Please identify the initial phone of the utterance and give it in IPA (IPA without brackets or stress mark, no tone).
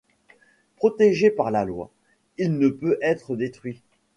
p